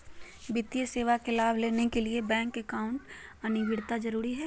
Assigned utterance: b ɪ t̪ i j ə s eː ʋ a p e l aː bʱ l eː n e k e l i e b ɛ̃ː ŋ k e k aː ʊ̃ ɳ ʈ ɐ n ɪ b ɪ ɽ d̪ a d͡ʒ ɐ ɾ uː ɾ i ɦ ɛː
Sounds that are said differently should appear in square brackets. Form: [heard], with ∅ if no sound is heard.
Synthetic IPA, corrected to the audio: b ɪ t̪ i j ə s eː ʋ a [k] e l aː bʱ l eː n e k e l i e b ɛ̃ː ŋ k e k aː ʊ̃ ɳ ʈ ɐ n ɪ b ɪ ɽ [t̪] a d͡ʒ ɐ ɾ uː ɾ i ɦ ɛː